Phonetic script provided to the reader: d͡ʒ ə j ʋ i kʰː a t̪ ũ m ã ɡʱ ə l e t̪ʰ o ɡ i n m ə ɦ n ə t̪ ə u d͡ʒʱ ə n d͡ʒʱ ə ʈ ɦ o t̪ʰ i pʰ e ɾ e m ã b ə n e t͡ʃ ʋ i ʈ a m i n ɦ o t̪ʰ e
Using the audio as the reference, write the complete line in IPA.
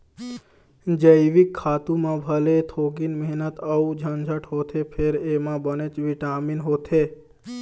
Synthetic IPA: d͡ʒ ə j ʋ i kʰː a t̪ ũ m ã bʱ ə l e t̪ʰ o ɡ i n m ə ɦ n ə t̪ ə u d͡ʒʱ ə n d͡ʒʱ ə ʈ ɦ o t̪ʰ e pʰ e ɾ e m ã b ə n e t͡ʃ ʋ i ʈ a m i n ɦ o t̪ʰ e